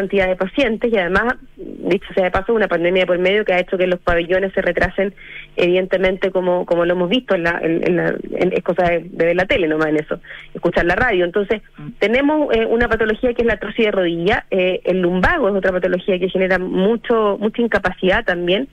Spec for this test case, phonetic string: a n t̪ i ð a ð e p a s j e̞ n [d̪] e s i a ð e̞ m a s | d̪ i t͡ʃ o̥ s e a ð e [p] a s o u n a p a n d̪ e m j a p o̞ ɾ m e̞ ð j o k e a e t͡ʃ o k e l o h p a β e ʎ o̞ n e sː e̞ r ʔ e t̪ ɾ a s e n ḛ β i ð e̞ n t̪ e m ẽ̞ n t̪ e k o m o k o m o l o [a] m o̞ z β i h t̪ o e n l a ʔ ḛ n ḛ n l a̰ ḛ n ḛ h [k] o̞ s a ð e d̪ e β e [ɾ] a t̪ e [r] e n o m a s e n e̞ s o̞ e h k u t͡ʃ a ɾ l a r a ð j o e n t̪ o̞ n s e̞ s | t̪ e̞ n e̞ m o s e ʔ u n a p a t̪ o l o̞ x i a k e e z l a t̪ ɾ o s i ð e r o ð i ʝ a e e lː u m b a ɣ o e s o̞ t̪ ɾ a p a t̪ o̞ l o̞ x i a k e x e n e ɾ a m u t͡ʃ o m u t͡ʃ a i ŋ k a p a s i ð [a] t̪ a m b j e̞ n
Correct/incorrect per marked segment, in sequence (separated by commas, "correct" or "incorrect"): incorrect, correct, incorrect, correct, incorrect, incorrect, correct